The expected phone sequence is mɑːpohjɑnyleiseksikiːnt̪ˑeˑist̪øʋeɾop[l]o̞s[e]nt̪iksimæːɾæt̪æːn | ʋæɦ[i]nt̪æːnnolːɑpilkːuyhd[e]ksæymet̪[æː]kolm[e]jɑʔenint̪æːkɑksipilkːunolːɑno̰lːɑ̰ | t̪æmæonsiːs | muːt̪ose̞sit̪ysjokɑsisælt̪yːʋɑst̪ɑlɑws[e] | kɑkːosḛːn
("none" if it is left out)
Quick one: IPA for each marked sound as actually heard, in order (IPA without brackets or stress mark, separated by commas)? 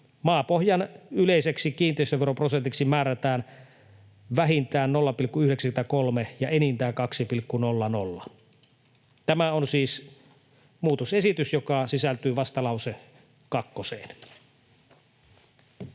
r, e, i, e, æ, e, e